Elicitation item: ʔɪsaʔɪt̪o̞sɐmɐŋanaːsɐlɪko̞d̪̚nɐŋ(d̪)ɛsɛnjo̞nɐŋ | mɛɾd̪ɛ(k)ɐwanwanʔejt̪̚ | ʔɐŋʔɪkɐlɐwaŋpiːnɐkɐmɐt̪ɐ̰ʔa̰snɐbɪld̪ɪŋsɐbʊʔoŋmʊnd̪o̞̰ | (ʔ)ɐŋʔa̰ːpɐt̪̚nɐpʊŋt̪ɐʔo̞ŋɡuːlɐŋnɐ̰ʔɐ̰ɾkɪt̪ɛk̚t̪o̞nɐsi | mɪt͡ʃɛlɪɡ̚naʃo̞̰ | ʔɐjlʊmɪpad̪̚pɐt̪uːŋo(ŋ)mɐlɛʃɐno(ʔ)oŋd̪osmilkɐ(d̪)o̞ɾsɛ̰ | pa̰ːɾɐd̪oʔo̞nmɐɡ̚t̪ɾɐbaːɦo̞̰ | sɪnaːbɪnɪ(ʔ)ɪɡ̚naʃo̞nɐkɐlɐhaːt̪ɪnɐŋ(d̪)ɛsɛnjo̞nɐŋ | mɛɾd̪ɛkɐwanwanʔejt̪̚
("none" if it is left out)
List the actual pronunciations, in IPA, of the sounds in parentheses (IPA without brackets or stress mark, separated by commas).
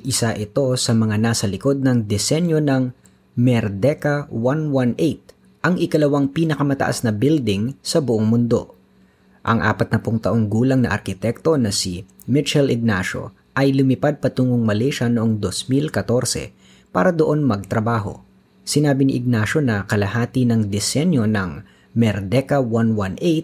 d̪, k, ʔ, ŋ, ʔ, t̪, ʔ, d̪